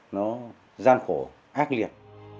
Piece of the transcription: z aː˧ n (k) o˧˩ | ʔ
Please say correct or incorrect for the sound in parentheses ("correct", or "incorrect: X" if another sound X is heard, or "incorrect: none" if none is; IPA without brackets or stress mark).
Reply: incorrect: x